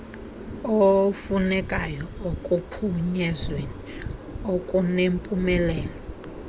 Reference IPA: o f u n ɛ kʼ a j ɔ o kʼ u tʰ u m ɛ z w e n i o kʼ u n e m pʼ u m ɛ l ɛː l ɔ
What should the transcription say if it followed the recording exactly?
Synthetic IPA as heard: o f u n ɛ kʼ a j ɔ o kʼ u pʰ u ɲ ɛ z w e n i o kʼ u n e m pʼ u m ɛ l ɛː l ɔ